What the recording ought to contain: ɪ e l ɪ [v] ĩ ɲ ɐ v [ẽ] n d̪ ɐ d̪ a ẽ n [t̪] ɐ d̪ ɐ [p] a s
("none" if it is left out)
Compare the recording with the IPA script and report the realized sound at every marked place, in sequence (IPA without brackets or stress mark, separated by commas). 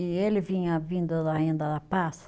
v, ĩ, d̪, p